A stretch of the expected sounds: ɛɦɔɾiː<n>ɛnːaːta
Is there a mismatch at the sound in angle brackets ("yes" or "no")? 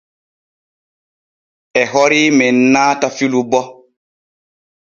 yes